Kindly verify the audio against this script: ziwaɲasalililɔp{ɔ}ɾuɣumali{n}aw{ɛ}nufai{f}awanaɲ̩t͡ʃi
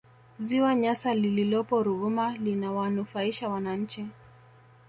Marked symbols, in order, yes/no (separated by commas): yes, yes, no, no